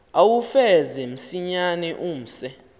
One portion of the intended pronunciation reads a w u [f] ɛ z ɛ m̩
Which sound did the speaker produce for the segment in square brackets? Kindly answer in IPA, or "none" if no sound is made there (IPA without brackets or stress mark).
f